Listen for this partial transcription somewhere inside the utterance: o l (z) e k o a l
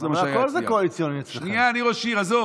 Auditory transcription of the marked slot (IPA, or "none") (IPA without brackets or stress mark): z